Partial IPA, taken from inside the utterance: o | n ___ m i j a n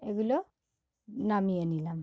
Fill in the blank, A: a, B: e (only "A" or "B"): A